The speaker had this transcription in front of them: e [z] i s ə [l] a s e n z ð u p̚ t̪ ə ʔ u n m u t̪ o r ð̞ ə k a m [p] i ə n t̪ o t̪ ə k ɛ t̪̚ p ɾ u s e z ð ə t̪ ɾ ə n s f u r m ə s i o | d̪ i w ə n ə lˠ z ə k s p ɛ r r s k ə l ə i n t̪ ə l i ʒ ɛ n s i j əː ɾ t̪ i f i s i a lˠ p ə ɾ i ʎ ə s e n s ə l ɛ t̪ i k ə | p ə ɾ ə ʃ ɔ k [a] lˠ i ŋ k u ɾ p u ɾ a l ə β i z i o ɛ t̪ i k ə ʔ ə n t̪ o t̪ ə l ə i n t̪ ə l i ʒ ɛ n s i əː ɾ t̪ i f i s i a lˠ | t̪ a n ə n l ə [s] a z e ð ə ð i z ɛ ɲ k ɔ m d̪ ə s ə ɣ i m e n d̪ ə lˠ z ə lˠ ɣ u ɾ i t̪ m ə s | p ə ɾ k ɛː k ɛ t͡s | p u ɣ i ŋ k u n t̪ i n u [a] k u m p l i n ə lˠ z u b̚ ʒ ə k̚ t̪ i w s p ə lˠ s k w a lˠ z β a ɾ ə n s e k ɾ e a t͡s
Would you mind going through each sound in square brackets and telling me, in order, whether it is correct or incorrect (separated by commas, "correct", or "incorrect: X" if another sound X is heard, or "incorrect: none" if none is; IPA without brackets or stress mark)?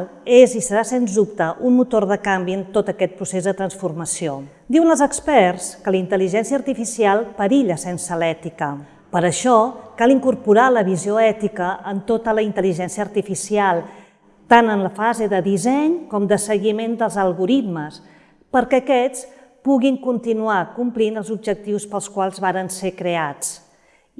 correct, incorrect: ɾ, incorrect: b, correct, incorrect: f, correct